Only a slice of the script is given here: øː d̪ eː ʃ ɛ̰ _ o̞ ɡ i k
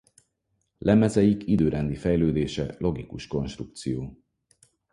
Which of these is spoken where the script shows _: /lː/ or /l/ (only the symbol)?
l